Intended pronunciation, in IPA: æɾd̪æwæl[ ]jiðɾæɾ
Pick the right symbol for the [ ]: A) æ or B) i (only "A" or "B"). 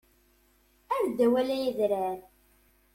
A